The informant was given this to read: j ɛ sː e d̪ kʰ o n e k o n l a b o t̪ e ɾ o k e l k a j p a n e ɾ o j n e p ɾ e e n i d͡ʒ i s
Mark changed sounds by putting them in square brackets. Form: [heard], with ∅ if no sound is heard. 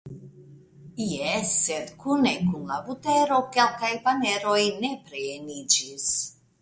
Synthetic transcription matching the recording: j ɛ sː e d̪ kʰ [u] n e k [u] n l a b [u] t̪ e ɾ o k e l k a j p a n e ɾ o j n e p ɾ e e n i d͡ʒ i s